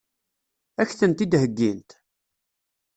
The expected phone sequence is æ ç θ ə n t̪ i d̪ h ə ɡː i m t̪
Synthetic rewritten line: æ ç θ ə n t̪ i d̪ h ə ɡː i n t̪